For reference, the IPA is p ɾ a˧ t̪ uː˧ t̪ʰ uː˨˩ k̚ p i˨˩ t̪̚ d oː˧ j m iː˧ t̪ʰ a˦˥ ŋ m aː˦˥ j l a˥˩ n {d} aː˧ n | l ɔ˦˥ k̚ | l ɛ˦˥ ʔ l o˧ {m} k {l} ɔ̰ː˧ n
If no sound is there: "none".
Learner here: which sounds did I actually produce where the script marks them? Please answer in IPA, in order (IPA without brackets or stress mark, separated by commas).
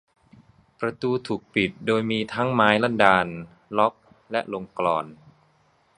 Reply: d, ŋ, l